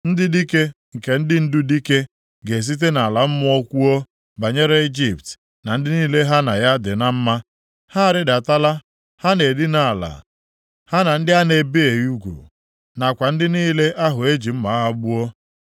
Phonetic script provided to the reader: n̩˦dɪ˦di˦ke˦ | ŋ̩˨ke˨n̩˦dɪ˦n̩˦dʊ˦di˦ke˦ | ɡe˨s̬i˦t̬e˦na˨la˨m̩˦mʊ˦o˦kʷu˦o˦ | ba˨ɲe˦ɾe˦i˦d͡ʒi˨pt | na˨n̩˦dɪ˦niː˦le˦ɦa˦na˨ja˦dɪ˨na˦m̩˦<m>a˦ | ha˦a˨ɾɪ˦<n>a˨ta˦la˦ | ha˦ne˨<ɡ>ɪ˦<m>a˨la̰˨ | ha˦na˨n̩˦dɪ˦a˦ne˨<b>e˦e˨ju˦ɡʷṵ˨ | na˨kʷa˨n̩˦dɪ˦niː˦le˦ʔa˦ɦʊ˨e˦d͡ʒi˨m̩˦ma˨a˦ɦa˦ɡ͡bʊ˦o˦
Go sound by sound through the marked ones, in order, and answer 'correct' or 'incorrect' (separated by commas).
correct, incorrect, incorrect, incorrect, correct